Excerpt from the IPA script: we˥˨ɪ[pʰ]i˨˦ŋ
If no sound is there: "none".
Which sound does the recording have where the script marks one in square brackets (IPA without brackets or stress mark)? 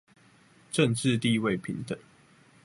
pʰ